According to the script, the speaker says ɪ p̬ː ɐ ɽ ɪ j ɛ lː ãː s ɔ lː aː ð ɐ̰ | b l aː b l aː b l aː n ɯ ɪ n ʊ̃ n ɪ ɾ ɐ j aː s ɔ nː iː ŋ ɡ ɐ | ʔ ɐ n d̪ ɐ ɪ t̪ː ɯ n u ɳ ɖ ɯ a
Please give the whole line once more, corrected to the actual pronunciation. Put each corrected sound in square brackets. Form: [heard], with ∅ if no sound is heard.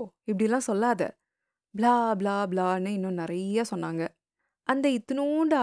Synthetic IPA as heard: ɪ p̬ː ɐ ɽ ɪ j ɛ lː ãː s ɔ lː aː ð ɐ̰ | b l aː b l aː b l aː n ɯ ɪ [nː] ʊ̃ n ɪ ɾ ɐ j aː s ɔ nː [aː] ŋ ɡ ɐ | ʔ ɐ n d̪ ɐ ɪ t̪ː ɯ n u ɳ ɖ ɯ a